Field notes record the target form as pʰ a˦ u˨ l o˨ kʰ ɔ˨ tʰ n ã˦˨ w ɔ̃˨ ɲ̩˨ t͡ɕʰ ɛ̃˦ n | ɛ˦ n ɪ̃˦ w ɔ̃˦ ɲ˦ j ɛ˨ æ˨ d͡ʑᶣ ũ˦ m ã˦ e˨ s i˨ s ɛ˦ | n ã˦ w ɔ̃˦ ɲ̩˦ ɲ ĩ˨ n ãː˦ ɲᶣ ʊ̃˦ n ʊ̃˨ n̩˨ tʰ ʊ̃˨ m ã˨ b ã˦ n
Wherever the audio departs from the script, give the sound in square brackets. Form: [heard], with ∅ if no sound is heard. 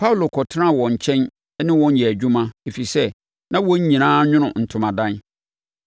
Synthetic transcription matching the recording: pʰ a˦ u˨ l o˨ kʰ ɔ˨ tʰ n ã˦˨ w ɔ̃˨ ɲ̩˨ t͡ɕʰ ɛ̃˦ n | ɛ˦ n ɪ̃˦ w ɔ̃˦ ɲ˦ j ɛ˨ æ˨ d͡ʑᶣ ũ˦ m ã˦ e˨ [f] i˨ s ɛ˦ | n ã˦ w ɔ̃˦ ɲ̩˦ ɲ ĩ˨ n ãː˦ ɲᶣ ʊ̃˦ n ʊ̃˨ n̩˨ tʰ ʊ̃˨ m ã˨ [d] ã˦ n